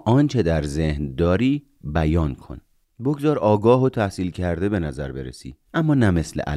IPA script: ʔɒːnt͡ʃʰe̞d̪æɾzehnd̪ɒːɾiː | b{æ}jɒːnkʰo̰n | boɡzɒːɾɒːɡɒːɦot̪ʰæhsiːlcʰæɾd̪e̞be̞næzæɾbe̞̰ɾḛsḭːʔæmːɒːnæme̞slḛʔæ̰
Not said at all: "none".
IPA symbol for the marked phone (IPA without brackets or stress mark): æ